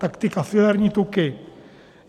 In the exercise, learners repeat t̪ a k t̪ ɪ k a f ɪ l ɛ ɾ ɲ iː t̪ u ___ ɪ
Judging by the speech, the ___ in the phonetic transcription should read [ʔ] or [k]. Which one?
k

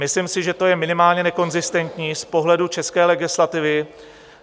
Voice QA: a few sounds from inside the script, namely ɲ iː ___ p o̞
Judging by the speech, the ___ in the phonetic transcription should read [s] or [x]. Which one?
s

